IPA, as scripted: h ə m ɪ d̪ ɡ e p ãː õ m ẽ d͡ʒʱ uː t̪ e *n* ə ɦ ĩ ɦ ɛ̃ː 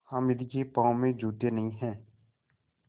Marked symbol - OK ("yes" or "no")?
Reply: yes